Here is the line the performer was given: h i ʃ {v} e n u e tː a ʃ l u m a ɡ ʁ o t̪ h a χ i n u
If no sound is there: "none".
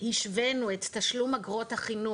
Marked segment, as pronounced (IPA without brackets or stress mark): v